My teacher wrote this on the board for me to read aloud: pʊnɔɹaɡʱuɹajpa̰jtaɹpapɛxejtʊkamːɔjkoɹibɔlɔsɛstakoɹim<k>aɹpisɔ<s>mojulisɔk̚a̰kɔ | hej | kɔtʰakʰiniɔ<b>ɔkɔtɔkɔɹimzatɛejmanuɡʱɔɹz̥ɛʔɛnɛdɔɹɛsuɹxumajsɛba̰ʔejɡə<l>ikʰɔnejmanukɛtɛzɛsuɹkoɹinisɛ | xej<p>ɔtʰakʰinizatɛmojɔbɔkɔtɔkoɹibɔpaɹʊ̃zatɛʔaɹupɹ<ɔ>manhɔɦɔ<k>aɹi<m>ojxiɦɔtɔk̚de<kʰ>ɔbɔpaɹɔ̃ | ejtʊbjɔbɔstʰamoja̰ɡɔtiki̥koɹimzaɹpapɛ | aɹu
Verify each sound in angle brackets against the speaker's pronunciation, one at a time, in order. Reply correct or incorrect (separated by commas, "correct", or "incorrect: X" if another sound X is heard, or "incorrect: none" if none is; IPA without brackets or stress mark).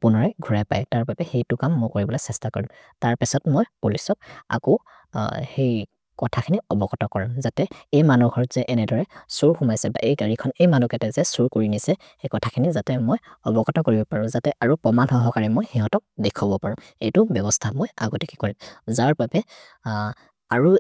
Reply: incorrect: t, incorrect: t, correct, incorrect: ɹ, incorrect: k, correct, correct, correct, correct